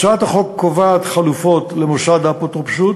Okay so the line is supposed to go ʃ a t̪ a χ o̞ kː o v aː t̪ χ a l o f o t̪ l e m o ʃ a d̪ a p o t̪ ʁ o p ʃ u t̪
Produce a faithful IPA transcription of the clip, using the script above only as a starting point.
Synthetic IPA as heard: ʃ a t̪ a χ o̞ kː o v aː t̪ χ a l u f o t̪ l e m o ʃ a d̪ a p o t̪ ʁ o p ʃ u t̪